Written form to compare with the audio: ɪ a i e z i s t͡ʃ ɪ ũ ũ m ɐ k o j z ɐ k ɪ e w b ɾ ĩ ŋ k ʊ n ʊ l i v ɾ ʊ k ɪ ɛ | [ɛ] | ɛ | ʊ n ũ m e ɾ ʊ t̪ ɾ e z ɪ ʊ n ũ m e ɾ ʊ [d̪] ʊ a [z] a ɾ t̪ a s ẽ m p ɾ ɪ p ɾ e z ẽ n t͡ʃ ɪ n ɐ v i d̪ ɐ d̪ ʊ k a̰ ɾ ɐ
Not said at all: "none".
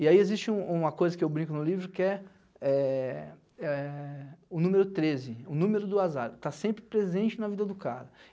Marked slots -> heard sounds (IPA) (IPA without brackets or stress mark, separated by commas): ɛ, d̪, z